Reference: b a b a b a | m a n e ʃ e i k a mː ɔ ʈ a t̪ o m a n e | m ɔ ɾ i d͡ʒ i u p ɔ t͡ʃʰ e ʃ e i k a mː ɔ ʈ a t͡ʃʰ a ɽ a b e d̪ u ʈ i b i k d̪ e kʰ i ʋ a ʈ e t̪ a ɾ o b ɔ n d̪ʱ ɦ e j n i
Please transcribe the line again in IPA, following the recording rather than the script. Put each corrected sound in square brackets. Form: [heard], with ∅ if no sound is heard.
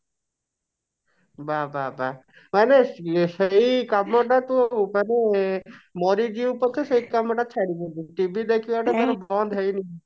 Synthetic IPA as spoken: b a b a b a | m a n e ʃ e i k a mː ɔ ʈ a t̪ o m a n e | m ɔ ɾ i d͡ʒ i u p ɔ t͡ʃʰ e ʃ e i k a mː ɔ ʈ a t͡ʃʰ a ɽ [i] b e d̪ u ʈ i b i [∅] d̪ e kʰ i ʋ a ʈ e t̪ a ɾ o b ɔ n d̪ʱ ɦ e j n i

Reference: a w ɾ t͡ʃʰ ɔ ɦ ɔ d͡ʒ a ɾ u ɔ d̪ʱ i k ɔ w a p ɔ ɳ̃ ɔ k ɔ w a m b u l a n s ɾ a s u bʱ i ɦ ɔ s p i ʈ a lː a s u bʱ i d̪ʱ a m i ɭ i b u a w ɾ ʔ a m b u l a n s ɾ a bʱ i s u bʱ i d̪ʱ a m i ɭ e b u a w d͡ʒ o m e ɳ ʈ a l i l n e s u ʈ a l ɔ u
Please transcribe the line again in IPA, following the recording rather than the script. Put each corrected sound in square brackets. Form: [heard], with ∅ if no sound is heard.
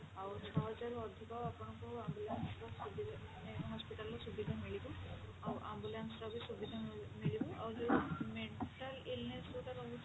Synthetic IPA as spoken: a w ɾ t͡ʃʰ ɔ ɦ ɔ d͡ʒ a ɾ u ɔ d̪ʱ i k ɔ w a p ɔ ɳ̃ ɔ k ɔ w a m b u l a n s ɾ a s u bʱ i ɦ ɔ s p i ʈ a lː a s u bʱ i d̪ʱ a m i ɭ i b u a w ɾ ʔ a m b u l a n s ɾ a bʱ i s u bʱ i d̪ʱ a m i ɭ [i] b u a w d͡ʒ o m e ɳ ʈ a l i l n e s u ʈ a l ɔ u

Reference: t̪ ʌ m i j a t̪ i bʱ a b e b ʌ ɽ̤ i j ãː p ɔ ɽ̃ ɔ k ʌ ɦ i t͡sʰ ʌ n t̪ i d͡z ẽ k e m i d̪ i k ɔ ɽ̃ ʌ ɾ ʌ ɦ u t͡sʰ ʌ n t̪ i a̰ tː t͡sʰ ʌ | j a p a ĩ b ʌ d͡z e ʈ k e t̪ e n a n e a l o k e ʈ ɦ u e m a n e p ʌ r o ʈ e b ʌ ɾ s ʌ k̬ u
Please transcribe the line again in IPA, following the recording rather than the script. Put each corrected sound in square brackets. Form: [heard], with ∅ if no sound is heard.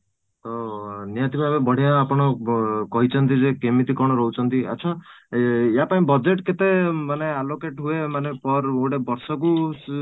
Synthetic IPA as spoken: t̪ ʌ [n] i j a t̪ i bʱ a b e b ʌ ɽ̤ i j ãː p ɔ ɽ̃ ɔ k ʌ ɦ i t͡sʰ ʌ n t̪ i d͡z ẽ k e m i [t̪] i k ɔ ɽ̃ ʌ ɾ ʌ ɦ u t͡sʰ ʌ n t̪ i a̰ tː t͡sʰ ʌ | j a p a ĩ b ʌ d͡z e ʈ k e t̪ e [m] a n e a l o k e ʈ ɦ u e m a n e p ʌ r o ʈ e b ʌ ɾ s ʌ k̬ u

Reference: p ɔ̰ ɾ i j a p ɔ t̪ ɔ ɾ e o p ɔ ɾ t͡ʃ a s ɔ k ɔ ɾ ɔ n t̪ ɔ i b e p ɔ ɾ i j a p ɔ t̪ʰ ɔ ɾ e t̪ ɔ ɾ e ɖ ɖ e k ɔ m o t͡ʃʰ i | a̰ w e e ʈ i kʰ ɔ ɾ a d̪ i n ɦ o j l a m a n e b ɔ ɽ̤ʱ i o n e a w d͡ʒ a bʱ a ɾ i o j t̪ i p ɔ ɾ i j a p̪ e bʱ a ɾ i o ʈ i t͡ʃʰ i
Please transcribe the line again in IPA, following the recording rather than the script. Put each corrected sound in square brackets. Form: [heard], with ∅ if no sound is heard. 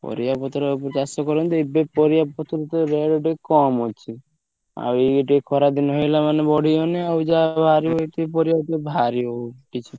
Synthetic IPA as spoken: p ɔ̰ ɾ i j a p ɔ t̪ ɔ ɾ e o p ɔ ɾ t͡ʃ a s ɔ k ɔ ɾ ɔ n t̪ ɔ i b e p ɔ ɾ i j a p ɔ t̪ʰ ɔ ɾ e t̪ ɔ ɾ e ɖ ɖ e k ɔ m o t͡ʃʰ i | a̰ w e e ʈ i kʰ ɔ ɾ a d̪ i n ɦ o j l a m a n e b ɔ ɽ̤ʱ i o n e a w d͡ʒ a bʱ a ɾ i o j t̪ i p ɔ ɾ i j a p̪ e bʱ a ɾ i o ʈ i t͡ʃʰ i

